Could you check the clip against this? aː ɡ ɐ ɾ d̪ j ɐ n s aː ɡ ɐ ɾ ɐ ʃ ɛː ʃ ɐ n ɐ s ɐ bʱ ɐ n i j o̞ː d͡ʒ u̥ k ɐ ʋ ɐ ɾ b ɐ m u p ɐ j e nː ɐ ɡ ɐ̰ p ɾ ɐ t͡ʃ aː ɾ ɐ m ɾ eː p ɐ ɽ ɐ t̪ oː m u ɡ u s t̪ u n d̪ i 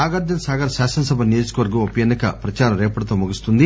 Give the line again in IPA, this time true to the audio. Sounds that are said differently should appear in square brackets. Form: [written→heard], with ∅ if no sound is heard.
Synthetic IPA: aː ɡ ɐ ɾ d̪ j ɐ n s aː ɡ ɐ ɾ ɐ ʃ [ɛː→aː] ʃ ɐ n ɐ s ɐ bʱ ɐ n i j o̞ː d͡ʒ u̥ k ɐ ʋ ɐ ɾ [b→ɡ] ɐ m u p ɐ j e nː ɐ [ɡ→k] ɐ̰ p ɾ ɐ t͡ʃ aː ɾ ɐ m ɾ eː p ɐ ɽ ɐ t̪ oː m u ɡ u s t̪ u n d̪ i